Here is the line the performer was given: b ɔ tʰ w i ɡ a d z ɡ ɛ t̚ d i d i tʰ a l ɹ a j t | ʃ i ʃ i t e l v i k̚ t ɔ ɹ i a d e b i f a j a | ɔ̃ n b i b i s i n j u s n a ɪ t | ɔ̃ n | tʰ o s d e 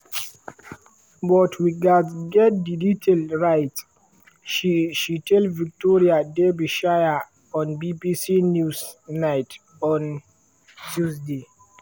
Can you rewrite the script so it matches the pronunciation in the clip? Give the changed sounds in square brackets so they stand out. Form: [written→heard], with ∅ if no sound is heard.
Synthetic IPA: b ɔ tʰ w i ɡ a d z ɡ ɛ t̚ d i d i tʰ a l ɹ a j t | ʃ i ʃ i t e l v i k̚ t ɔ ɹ i a d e b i [f→ʃ] a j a | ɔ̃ n b i b i s i n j u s n a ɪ t | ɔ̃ n | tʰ [o→u] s d e